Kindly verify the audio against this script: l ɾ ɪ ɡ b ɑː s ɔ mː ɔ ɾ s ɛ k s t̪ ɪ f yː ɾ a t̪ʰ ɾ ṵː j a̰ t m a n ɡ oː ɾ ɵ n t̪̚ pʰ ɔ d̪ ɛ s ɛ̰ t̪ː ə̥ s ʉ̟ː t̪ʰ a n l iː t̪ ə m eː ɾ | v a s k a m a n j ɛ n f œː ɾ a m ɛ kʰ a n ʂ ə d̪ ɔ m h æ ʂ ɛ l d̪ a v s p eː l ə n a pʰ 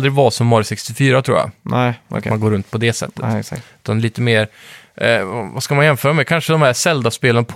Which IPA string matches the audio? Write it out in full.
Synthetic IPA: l ɾ ɪ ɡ v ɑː s ɔ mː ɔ ɾ s ɛ k s t̪ ɪ f yː ɾ a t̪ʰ ɾ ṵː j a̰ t m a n ɡ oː ɾ ɵ n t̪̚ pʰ ɔ d̪ ɛ s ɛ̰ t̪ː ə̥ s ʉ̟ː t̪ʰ a n l iː t̪ ə m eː ɾ | v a s k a m a n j ɛ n f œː ɾ a m ɛ kʰ a n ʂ ə d̪ ɔ m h æ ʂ ɛ l d̪ a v s p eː l ə n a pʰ